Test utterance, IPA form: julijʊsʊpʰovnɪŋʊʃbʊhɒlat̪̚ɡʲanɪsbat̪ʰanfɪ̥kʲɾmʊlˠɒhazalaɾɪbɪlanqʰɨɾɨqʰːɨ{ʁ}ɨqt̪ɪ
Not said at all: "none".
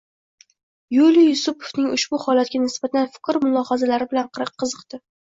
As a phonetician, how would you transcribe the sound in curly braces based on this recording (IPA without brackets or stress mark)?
z